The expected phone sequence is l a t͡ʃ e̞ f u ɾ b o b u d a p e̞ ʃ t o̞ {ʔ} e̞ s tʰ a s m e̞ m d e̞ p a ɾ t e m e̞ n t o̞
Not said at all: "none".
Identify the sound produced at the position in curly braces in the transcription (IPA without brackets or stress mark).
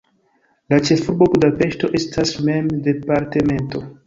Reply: ʔ